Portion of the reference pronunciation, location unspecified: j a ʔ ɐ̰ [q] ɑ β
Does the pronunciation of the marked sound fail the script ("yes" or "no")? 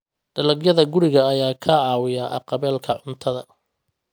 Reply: no